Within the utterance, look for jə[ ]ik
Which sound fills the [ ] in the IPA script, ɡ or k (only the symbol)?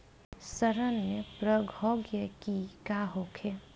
k